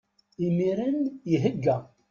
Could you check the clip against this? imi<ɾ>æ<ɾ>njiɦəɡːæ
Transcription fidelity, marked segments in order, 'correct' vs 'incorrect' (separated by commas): correct, incorrect